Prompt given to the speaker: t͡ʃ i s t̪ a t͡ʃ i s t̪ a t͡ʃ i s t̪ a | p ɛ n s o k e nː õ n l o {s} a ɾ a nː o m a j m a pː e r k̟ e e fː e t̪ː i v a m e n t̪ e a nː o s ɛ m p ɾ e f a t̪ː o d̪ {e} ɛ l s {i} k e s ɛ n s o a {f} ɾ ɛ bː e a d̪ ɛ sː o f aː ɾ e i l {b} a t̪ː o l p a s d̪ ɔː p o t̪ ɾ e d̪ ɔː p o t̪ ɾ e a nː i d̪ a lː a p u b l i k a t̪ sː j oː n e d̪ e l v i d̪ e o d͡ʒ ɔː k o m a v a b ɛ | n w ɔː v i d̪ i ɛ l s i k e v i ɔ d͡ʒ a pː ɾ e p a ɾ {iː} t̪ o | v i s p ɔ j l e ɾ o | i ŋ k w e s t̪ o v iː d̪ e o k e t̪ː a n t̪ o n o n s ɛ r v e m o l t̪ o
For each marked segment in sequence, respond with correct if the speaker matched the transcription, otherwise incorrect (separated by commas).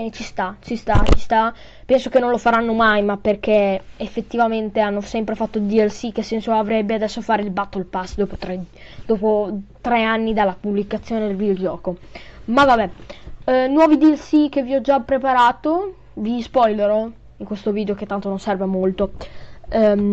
incorrect, incorrect, correct, incorrect, correct, incorrect